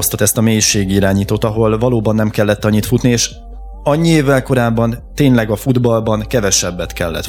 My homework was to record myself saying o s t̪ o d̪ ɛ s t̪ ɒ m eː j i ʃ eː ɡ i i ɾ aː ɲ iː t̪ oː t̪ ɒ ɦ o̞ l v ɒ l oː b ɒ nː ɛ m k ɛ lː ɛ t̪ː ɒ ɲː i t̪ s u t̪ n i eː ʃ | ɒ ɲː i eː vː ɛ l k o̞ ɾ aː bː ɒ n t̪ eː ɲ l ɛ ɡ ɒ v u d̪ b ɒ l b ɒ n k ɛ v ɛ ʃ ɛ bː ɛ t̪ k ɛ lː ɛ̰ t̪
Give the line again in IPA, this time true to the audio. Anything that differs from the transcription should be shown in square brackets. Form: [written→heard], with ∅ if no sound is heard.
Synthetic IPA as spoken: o s t̪ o [d̪→t̪] ɛ s t̪ ɒ m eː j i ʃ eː ɡ i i ɾ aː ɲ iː t̪ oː t̪ ɒ ɦ o̞ l v ɒ l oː b ɒ nː ɛ m k ɛ lː ɛ t̪ː ɒ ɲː i t̪ [s→f] u t̪ n i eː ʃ | ɒ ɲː i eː vː ɛ l k o̞ ɾ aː bː ɒ n t̪ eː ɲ l ɛ ɡ ɒ [v→f] u d̪ b ɒ l b ɒ n k ɛ v ɛ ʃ ɛ bː ɛ t̪ k ɛ lː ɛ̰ t̪